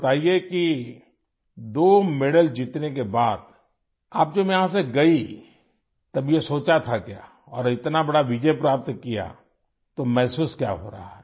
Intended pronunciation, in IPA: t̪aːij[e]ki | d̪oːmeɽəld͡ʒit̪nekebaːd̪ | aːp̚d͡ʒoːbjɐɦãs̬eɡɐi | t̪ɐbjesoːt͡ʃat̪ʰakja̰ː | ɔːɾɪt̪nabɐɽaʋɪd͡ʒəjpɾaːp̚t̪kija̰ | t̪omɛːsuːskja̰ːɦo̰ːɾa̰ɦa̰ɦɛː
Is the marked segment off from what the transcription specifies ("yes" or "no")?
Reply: no